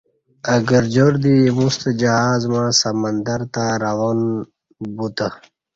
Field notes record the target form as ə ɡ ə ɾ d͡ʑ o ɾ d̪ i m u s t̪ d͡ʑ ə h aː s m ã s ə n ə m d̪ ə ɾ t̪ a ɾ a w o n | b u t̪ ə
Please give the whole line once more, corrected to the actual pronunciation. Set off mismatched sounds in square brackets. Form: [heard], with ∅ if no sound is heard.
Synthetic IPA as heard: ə ɡ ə ɾ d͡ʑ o ɾ d̪ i m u s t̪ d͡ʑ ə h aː [z] m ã s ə [m] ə [n] d̪ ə ɾ t̪ a ɾ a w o n | b u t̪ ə